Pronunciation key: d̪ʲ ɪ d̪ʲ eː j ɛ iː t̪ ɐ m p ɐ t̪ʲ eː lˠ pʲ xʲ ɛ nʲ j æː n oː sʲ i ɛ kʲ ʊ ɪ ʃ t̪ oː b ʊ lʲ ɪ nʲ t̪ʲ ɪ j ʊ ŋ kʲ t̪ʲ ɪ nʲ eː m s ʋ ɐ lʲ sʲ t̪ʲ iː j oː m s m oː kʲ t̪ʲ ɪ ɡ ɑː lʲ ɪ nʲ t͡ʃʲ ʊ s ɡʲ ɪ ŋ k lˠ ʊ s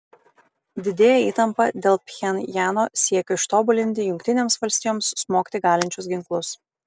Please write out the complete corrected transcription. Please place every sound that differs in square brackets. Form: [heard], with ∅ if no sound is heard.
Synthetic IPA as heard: d̪ʲ ɪ d̪ʲ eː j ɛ iː t̪ ɐ m p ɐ [d̪ʲ] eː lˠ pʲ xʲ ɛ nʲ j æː n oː sʲ i ɛ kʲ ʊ ɪ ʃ t̪ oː b ʊ lʲ ɪ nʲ t̪ʲ ɪ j ʊ ŋ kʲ t̪ʲ ɪ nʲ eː m s ʋ ɐ lʲ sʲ t̪ʲ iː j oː m s m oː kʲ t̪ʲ ɪ ɡ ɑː lʲ ɪ nʲ t͡ʃʲ ʊ s ɡʲ ɪ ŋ k lˠ ʊ s